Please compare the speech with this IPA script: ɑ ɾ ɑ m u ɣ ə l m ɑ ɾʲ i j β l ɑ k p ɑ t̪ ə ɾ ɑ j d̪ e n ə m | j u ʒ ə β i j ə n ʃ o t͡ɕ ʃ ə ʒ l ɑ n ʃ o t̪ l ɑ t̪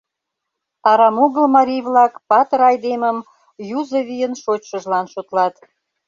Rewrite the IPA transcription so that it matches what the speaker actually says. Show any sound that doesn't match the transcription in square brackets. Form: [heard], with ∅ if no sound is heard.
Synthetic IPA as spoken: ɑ ɾ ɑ m u ɣ ə l m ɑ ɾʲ i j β l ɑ k p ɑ t̪ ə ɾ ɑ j d̪ e [m] ə m | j u [z] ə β i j ə n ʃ o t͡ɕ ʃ ə ʒ l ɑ n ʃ o t̪ l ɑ t̪